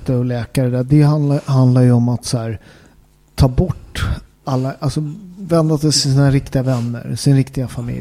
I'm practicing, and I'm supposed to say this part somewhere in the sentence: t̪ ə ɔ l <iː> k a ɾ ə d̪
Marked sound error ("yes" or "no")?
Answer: yes